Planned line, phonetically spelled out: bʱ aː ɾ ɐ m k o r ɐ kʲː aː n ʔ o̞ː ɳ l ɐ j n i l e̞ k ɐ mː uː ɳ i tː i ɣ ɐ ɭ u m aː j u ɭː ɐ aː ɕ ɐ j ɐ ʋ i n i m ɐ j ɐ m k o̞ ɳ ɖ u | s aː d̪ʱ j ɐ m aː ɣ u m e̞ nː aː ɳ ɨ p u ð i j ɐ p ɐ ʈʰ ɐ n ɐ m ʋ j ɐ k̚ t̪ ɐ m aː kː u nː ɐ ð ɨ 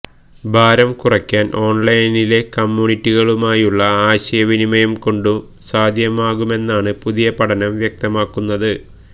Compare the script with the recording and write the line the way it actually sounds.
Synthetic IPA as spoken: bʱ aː ɾ ɐ m k u r ɐ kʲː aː n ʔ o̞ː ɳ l ɐ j n i l e̞ k ɐ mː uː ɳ i tː i ɣ ɐ ɭ u m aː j u ɭː ɐ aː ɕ ɐ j ɐ ʋ i n i m ɐ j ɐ m k o̞ ɳ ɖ u | s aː d̪ʱ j ɐ m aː ɣ u m e̞ nː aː ɳ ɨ p u ð i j ɐ p ɐ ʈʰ ɐ n ɐ m ʋ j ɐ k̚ t̪ ɐ m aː kː u nː ɐ ð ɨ